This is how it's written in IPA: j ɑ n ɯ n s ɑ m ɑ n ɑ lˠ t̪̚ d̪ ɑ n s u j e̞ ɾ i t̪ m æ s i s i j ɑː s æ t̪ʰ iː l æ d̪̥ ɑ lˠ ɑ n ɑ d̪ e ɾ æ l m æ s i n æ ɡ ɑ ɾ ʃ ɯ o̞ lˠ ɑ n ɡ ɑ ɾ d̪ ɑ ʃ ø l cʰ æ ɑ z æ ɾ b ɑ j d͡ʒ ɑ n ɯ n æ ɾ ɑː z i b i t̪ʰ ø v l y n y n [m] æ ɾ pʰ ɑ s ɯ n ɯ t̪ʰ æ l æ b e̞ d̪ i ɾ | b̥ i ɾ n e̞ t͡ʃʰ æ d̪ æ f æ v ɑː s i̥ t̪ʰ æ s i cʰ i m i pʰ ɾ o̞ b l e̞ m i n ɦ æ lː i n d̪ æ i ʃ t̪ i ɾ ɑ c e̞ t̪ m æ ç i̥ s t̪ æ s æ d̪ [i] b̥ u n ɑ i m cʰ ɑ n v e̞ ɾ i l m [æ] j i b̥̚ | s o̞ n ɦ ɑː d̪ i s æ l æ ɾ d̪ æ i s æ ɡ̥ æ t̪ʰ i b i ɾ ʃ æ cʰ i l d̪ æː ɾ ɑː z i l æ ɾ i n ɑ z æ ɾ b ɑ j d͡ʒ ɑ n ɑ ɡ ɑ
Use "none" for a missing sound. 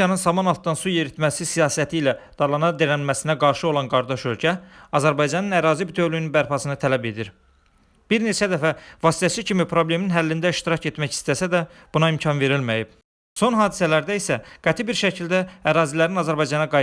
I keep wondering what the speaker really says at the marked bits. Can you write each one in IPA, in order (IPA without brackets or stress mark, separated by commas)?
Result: b, æ, æ